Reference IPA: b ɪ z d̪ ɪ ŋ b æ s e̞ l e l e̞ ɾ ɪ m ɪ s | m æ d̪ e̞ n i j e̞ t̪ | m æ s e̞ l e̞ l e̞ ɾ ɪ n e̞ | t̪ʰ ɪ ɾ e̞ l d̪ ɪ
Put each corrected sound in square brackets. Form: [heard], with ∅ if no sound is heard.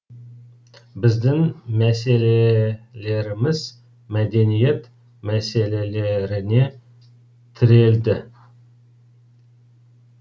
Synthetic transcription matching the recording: b ɪ z d̪ ɪ ŋ [m] æ s e̞ l e l e̞ ɾ ɪ m ɪ [z] | m æ d̪ e̞ n i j e̞ t̪ | m æ s e̞ l e̞ l e̞ ɾ ɪ n e̞ | t̪ʰ ɪ ɾ e̞ l d̪ ɪ